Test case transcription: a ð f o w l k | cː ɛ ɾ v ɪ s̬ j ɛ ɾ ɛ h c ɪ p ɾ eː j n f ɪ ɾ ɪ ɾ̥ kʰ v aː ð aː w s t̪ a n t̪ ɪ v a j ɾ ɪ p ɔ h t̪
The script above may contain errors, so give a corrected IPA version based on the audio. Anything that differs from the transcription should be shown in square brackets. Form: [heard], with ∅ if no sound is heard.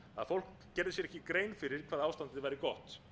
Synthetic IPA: a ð f o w l k | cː ɛ ɾ [ð] ɪ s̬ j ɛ ɾ ɛ h c ɪ [k] ɾ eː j n f ɪ ɾ ɪ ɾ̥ kʰ v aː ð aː w s t̪ a n t̪ ɪ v a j ɾ ɪ [k] ɔ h t̪